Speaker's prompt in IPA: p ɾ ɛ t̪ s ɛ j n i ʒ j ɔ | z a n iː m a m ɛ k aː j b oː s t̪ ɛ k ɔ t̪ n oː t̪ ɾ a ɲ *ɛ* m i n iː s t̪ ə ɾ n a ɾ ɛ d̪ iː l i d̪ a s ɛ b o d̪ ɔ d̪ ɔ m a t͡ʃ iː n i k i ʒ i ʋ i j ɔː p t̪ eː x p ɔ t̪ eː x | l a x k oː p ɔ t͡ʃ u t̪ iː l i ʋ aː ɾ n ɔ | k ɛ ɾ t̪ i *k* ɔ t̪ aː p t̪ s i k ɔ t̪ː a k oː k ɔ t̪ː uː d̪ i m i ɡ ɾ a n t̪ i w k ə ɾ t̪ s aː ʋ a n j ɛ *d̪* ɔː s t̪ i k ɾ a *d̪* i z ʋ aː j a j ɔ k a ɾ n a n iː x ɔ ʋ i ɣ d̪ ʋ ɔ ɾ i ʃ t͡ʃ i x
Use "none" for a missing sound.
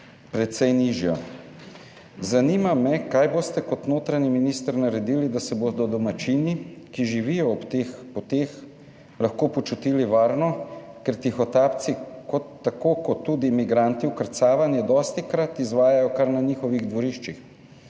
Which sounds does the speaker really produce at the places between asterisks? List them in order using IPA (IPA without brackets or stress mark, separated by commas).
i, x, d̪, t̪